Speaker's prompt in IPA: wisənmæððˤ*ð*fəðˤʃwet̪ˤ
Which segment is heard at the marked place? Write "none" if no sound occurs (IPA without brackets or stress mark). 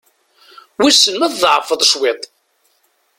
ʕ